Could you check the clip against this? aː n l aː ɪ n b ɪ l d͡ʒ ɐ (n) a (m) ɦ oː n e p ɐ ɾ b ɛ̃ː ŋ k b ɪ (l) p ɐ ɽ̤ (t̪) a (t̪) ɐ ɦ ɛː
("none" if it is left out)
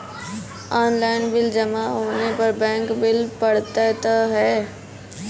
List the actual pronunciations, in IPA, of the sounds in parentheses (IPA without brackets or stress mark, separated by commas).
m, none, l, t̪, t̪